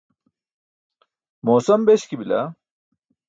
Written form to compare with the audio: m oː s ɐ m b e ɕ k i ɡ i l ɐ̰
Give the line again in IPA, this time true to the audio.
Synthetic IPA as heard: m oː s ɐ m b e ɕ k i b i l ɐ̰